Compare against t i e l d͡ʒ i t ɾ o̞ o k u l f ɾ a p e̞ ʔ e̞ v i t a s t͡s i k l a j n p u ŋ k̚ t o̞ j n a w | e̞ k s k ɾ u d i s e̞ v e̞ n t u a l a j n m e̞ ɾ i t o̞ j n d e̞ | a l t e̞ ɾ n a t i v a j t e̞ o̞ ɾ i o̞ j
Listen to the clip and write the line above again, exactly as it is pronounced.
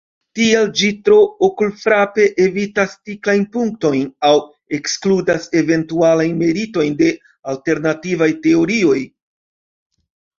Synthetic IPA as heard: t i e l d͡ʒ i t ɾ o̞ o k u l f ɾ a p e̞ ʔ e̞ v i t a s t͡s i k l a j n p u ŋ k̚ t o̞ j n a w | e̞ k s k l u d a s e̞ v e̞ n t u a l a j n m e̞ ɾ i t o̞ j n d e̞ | a l t e̞ ɾ n a t i v a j t e̞ o̞ ɾ i o̞ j

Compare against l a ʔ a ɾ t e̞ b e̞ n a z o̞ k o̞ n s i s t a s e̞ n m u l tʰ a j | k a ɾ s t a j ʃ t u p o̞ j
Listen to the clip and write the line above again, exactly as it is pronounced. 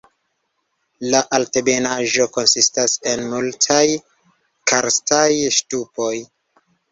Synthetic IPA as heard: l a ʔ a l t e̞ b e̞ n a ʒ o̞ k o̞ n s i s t a s e̞ n m u l tʰ a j | k a ɾ s t a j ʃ t u p o̞ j

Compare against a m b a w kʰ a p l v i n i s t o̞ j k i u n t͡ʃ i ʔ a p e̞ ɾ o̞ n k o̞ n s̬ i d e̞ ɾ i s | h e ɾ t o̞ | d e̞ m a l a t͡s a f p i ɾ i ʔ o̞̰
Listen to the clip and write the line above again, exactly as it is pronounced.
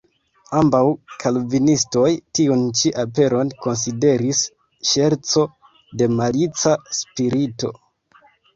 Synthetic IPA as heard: a m b a w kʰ a l v i n i s t o̞ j t i u n t͡ʃ i ʔ a p e̞ ɾ o̞ n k o̞ n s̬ i d e̞ ɾ i s | ʃ e ɾ t͡s o̞ | d e̞ m a l i t͡s a s p i ɾ i t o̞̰

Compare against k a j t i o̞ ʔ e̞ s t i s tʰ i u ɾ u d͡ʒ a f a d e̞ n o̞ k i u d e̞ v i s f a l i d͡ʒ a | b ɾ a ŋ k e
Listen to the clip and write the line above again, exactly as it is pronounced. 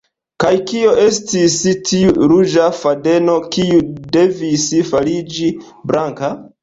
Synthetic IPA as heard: k a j k i o̞ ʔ e̞ s t i s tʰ i u ɾ u d͡ʒ a f a d e̞ n o̞ k i u d e̞ v i s f a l i d͡ʒ i | b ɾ a ŋ k a

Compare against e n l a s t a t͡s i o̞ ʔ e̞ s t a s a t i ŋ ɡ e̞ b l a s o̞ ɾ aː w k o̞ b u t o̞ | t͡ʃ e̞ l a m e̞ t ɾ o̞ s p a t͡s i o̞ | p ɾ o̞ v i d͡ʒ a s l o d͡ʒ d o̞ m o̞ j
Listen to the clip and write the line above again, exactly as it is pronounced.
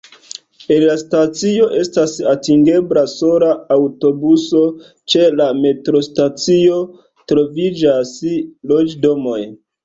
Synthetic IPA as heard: e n l a s t a t͡s i o̞ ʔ e̞ s t a s a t i ŋ ɡ e̞ b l a s o̞ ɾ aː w t o̞ b u s o̞ | t͡ʃ e̞ l a m e̞ t ɾ o̞ s t a t͡s i o̞ | t ɾ o̞ v i d͡ʒ a s l o d͡ʒ d o̞ m o̞ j

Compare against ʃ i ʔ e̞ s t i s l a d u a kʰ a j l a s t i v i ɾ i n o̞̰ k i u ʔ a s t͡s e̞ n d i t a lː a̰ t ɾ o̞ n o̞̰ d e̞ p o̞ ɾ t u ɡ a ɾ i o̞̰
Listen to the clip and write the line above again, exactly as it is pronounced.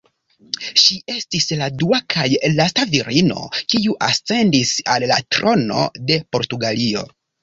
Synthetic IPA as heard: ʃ i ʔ e̞ s t i s l a d u a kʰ a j l a s t a v i ɾ i n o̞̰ k i u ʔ a s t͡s e̞ n d i s a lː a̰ t ɾ o̞ n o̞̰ d e̞ p o̞ ɾ t u ɡ a l i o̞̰

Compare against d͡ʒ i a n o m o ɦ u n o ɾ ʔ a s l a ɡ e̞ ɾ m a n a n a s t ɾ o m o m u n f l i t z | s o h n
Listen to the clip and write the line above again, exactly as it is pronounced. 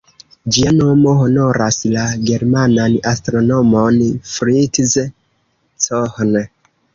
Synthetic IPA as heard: d͡ʒ i a n o m o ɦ o n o ɾ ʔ a s l a ɡ e̞ ɾ m a n a n a s t ɾ o n o m o n f ɾ i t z | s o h n

